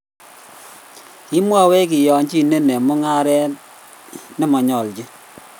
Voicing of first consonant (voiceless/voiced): voiceless